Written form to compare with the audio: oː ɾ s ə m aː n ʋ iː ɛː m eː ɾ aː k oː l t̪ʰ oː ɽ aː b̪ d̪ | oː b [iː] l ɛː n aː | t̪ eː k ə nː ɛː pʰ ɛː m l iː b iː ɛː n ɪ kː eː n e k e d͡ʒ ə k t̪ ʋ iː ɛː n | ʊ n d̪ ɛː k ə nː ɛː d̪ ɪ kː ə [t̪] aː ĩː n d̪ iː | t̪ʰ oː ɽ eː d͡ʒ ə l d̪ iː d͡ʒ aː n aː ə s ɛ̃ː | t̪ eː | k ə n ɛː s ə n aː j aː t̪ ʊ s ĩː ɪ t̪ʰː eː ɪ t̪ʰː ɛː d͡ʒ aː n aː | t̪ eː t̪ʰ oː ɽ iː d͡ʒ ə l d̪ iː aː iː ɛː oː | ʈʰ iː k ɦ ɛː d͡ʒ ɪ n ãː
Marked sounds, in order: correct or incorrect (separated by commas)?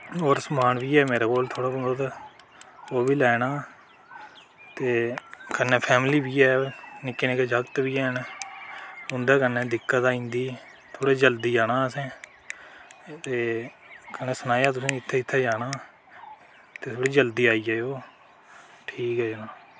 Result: correct, correct